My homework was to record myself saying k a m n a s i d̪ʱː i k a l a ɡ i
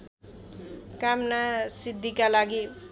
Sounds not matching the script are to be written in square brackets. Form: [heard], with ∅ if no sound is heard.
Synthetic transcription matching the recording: k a m n a s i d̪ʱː i k a l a ɡ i